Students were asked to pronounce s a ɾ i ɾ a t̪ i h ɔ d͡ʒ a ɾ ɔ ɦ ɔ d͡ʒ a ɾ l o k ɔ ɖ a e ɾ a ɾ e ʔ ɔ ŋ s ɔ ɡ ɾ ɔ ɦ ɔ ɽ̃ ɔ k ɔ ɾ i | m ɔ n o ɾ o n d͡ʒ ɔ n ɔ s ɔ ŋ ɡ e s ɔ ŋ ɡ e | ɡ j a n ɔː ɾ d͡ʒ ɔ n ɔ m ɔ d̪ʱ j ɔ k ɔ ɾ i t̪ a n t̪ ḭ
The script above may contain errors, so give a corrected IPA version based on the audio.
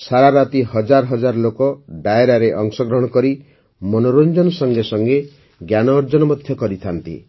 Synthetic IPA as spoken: s a ɾ a ɾ a t̪ i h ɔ d͡ʒ a ɾ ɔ ɦ ɔ d͡ʒ a ɾ l o k ɔ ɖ a e ɾ a ɾ e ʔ ɔ ŋ s ɔ ɡ ɾ ɔ ɦ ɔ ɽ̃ ɔ k ɔ ɾ i | m ɔ n o ɾ o n d͡ʒ ɔ n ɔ s ɔ ŋ ɡ e s ɔ ŋ ɡ e | ɡ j a n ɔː ɾ d͡ʒ ɔ n ɔ m ɔ d̪ʱ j ɔ k ɔ ɾ i t̪ʰ a n t̪ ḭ